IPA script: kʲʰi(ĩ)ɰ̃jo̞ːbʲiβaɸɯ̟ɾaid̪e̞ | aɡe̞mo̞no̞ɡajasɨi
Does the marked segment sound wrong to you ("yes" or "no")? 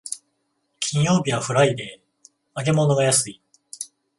no